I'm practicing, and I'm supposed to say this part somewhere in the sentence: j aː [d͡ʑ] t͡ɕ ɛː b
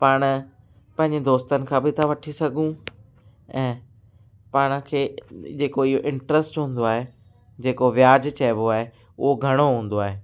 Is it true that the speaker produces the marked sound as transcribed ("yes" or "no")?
yes